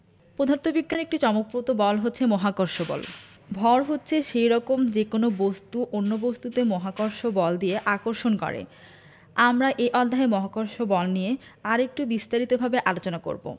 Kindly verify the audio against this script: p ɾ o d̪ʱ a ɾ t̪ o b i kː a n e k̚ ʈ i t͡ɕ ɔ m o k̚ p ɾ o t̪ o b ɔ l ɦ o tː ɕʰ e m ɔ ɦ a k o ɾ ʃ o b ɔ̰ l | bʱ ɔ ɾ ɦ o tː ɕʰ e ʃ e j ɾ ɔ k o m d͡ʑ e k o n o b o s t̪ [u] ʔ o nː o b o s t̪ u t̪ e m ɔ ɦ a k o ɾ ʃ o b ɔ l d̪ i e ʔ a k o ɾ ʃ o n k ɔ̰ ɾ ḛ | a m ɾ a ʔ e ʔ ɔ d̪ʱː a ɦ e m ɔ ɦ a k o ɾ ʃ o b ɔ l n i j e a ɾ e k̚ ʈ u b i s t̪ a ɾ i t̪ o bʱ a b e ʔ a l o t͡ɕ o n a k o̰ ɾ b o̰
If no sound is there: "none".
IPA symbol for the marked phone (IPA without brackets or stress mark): u